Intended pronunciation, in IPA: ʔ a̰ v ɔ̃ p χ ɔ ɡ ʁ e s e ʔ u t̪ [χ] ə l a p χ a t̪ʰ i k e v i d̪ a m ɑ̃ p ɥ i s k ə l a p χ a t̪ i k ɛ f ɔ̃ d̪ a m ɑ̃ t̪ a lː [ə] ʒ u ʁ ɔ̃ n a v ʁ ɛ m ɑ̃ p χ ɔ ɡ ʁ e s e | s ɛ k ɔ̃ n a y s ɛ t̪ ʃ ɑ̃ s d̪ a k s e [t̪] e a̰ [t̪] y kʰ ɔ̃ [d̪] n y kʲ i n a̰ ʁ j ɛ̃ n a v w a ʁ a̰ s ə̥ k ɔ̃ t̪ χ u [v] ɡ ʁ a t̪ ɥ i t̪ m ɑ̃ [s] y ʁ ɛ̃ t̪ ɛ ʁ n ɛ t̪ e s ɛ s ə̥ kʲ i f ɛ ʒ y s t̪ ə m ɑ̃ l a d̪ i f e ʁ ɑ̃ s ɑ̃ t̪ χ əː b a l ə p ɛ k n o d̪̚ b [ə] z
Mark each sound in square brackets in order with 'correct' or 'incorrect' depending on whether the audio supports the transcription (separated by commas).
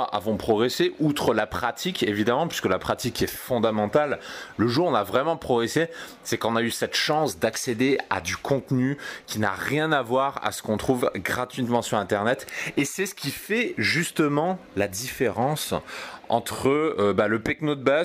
correct, correct, incorrect, incorrect, incorrect, correct, correct, incorrect